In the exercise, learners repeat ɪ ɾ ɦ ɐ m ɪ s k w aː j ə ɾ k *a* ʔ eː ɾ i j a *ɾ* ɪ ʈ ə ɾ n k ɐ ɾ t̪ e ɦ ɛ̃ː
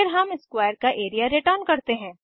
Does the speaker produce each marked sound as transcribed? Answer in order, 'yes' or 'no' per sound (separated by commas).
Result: yes, yes